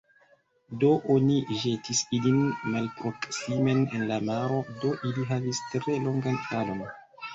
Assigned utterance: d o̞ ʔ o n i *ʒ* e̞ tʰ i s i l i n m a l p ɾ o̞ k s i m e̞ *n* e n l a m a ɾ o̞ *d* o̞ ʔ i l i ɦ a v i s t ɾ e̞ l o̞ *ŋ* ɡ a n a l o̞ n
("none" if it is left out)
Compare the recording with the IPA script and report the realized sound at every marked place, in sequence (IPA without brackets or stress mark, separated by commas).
ʒ, n, d, ŋ